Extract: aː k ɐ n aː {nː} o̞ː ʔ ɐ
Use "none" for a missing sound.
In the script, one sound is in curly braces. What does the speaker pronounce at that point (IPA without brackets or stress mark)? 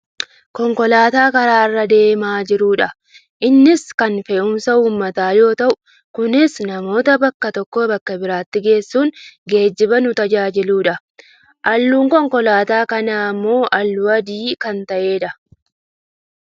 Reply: mː